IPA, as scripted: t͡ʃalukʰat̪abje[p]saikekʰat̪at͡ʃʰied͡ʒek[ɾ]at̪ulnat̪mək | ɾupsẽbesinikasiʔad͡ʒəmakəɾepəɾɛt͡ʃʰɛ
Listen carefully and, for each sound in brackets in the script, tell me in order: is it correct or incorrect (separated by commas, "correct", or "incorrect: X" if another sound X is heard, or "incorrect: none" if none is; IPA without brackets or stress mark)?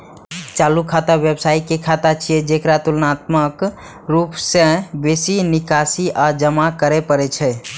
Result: incorrect: b, correct